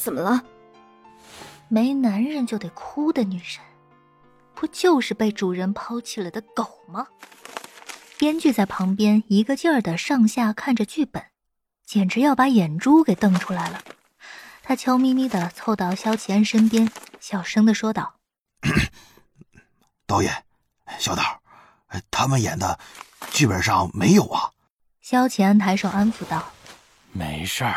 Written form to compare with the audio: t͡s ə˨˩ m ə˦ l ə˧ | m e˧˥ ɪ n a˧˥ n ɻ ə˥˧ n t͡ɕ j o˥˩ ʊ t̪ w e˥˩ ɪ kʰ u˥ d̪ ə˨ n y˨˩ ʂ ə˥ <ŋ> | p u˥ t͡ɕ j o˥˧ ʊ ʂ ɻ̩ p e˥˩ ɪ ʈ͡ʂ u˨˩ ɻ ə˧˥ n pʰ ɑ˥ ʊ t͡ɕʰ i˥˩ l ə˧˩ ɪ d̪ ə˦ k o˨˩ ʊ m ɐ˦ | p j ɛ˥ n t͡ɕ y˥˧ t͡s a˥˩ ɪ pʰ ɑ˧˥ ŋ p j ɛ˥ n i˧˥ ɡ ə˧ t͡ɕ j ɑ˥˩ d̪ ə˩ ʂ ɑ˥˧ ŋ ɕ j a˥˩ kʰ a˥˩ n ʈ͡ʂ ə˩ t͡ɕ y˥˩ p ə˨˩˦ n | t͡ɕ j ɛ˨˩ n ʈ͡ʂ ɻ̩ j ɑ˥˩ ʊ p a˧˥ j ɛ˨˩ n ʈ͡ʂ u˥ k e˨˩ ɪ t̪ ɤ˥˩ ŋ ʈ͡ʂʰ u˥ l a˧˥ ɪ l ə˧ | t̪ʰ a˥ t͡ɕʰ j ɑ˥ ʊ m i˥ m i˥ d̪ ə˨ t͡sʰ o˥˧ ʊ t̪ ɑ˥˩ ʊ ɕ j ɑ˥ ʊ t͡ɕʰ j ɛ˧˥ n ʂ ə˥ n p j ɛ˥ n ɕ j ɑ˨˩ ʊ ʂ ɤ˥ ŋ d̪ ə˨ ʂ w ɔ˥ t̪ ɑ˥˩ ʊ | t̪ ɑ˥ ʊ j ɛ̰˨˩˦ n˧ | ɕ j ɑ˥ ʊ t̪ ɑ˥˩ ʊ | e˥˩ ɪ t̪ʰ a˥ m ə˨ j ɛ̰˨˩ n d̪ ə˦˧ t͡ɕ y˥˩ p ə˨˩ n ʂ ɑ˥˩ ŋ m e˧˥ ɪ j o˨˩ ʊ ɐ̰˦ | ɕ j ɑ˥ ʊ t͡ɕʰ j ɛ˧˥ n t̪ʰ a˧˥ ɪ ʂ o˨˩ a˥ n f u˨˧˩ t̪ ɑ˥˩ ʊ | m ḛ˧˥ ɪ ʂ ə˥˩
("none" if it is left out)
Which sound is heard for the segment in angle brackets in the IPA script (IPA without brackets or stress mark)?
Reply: n